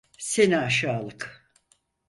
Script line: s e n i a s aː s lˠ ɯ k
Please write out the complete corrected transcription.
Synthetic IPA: s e n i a ʃ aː lˠ ɯ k